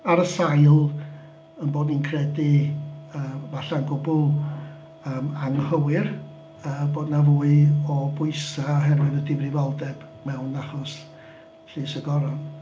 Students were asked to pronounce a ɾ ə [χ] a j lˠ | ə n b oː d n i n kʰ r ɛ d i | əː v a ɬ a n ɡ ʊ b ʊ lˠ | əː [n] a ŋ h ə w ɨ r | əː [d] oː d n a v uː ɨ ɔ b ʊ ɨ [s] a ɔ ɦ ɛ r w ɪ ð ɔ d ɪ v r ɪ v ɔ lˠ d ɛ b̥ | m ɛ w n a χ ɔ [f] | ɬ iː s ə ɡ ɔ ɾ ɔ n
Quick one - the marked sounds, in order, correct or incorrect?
incorrect, incorrect, incorrect, correct, incorrect

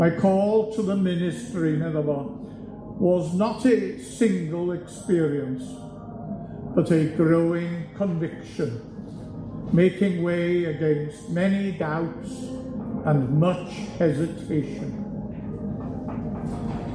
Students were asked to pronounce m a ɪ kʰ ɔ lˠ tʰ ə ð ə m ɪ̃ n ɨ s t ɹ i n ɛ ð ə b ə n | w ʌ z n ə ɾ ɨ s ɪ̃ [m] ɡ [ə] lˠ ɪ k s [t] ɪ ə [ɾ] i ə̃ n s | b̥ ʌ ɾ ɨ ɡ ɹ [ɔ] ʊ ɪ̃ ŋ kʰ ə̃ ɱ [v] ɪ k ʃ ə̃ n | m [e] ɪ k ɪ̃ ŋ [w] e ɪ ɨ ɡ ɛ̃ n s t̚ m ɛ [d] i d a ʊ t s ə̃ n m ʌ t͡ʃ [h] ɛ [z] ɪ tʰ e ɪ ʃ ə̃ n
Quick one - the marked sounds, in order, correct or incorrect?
incorrect, correct, incorrect, incorrect, incorrect, correct, correct, correct, incorrect, correct, correct

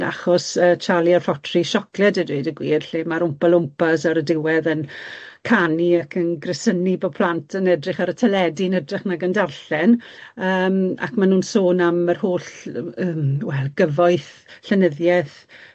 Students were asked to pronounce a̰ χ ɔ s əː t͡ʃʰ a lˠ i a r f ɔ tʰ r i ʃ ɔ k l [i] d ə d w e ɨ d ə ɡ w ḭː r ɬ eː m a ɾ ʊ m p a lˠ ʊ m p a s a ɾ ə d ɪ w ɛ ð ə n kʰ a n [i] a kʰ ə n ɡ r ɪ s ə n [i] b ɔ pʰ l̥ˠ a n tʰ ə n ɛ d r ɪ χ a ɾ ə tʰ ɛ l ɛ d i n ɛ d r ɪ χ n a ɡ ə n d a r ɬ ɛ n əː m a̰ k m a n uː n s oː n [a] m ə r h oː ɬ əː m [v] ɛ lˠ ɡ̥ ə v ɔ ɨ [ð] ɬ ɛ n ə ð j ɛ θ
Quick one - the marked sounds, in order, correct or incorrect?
incorrect, correct, correct, correct, incorrect, incorrect

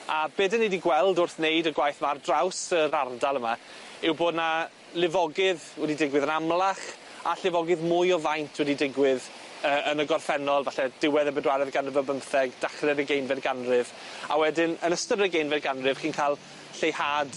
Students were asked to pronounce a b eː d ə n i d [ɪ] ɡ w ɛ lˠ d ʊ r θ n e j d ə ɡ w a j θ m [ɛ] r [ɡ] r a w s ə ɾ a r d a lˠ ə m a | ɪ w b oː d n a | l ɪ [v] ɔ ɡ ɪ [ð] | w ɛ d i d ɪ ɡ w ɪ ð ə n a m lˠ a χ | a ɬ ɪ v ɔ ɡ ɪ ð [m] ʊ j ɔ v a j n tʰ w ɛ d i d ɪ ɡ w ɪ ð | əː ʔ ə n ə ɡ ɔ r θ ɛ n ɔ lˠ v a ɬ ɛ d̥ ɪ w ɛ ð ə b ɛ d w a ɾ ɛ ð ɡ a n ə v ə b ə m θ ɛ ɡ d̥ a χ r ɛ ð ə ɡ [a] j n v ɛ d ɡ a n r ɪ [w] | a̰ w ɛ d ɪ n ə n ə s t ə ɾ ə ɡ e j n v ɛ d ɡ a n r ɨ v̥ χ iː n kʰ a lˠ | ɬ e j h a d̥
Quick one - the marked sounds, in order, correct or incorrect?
incorrect, incorrect, incorrect, correct, correct, correct, incorrect, incorrect

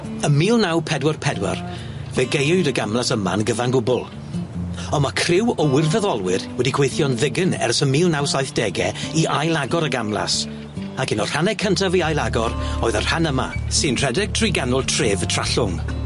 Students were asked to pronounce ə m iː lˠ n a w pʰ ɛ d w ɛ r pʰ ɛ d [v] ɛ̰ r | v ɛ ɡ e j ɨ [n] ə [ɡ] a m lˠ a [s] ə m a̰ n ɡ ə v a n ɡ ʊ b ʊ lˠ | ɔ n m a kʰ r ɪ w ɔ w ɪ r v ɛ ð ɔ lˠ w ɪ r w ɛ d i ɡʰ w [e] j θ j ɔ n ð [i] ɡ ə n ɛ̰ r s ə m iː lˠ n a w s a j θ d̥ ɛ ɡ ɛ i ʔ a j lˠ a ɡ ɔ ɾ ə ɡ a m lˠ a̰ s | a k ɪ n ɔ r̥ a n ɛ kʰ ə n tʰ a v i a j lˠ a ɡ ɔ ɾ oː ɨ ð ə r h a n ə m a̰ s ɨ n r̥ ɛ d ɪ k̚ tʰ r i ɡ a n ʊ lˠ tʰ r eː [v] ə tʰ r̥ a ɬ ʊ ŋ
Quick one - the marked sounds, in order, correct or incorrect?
incorrect, incorrect, correct, correct, correct, incorrect, correct

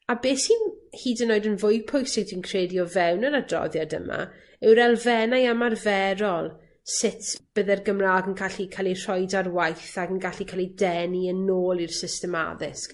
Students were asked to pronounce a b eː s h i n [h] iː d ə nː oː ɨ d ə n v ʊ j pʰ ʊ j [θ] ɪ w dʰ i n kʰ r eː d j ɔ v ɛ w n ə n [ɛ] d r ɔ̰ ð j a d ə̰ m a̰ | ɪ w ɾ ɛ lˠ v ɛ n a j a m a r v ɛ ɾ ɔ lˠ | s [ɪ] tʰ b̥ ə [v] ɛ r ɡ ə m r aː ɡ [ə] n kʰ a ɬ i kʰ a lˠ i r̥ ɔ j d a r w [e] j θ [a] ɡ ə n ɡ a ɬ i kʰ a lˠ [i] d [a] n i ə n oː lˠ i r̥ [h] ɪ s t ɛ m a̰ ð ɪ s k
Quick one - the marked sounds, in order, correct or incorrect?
correct, incorrect, incorrect, correct, incorrect, correct, incorrect, correct, correct, incorrect, incorrect

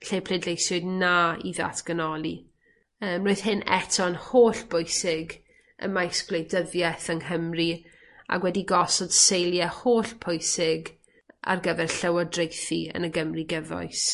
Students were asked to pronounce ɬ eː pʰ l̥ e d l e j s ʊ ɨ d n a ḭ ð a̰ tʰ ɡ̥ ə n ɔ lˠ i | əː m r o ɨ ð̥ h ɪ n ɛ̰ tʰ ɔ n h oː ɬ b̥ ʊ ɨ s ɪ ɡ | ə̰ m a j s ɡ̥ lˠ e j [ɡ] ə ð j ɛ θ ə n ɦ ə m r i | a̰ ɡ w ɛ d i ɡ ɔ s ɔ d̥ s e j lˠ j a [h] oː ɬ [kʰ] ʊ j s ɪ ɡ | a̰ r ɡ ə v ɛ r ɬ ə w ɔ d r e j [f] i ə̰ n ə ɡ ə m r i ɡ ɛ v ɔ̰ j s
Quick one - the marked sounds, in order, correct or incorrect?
incorrect, correct, incorrect, incorrect

